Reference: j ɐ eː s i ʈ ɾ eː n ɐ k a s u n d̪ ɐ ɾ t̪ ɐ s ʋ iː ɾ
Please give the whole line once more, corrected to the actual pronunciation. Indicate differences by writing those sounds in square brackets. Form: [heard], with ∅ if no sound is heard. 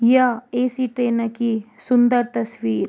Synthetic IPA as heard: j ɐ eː s i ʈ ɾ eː n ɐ k [i] s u n d̪ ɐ ɾ t̪ ɐ s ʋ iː ɾ